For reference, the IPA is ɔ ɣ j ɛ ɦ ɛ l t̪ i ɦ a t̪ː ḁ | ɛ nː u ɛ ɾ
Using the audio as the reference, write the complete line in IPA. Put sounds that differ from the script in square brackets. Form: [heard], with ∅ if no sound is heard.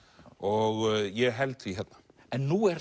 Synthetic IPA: ɔ ɣ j ɛ ɦ ɛ l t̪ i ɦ [ɛ] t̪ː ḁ | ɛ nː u ɛ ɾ